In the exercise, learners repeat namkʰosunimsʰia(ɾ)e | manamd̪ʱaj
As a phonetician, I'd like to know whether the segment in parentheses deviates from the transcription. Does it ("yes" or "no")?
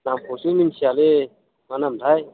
yes